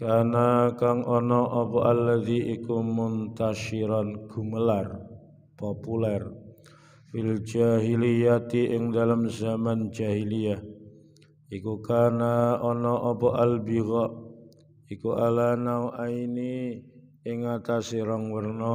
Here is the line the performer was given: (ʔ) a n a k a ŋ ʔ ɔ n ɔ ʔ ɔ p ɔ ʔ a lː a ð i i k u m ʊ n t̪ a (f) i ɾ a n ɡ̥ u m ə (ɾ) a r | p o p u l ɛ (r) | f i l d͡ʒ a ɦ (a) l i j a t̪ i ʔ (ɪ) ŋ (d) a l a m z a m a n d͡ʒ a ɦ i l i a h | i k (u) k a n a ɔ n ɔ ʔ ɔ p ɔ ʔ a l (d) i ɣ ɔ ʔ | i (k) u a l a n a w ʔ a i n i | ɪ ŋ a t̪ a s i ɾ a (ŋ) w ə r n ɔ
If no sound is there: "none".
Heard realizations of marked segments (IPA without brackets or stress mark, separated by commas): k, ʃ, l, r, i, ɪ, d, u, b, k, ŋ